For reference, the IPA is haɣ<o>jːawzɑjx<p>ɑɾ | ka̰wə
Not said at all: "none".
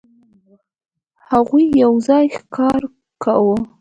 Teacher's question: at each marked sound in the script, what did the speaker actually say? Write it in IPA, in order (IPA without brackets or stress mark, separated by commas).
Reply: u, k